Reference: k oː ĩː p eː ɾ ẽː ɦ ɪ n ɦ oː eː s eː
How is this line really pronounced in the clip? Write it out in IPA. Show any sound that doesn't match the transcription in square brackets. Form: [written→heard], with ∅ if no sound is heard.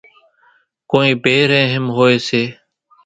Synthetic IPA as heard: k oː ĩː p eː ɾ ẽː ɦ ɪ [n→m] ɦ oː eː s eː